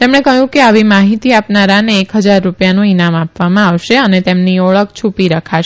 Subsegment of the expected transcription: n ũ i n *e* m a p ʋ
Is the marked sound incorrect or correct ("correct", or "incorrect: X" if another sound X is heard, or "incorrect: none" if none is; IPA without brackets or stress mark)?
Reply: incorrect: a